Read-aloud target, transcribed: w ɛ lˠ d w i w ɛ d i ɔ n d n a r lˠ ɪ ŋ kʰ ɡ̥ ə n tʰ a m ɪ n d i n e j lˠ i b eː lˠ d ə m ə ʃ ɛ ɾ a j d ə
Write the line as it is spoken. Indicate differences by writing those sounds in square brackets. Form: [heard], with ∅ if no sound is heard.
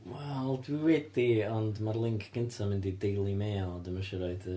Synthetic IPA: w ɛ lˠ d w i w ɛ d i ɔ n d [m] a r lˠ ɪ ŋ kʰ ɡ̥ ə n tʰ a m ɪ n d i [d] e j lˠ i [m] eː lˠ d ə m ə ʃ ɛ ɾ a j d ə